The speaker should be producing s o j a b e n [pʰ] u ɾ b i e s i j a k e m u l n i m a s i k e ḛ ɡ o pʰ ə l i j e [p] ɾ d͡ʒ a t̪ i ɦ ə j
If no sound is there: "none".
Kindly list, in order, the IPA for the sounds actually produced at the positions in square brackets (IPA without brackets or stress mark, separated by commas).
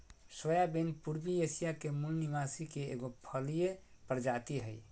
p, p